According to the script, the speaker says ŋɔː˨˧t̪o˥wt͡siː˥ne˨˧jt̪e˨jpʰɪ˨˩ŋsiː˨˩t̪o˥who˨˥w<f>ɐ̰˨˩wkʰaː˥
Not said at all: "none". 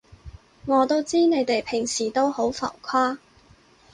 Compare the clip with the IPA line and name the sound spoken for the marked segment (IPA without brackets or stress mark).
f